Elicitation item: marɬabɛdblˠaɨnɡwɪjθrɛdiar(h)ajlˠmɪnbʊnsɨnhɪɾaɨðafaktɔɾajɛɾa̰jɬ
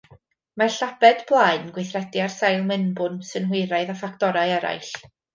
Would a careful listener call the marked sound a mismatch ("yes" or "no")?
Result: yes